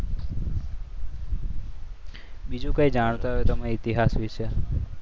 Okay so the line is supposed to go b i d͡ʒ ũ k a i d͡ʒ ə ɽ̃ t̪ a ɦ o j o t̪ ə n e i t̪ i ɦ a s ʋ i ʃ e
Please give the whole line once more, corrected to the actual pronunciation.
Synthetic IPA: b i d͡ʒ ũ k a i d͡ʒ a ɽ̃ t̪ a ɦ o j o t̪ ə m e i t̪ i ɦ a s ʋ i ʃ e

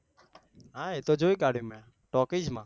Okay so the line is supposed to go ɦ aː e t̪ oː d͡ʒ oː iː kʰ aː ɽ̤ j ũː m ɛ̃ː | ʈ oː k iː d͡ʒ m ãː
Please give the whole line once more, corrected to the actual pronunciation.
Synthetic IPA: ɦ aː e t̪ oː d͡ʒ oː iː k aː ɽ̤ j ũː m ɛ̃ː | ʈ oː k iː d͡ʒ m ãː

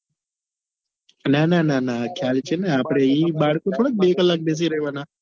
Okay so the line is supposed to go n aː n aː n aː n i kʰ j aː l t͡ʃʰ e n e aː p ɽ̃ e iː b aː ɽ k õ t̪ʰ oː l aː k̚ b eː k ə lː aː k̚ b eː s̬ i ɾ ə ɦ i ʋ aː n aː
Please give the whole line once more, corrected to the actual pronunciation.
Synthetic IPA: n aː n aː n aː n a kʰ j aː l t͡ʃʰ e n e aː p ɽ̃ e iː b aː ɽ k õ t̪ʰ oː ɽ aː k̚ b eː k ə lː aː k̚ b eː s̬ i ɾ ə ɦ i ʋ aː n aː

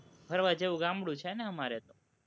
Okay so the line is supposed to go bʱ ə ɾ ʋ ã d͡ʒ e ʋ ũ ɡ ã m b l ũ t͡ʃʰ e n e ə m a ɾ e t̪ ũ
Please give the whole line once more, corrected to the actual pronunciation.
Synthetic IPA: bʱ ə ɾ ʋ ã d͡ʒ e ʋ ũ ɡ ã m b ɽ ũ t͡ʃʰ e n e ə m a ɾ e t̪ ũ

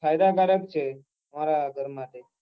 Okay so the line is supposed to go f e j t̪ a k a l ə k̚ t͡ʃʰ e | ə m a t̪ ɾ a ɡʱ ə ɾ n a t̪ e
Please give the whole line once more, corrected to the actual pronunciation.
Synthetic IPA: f a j d̪ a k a ɾ ə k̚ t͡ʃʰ e | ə m a ɾ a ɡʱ ə ɾ m a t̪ e

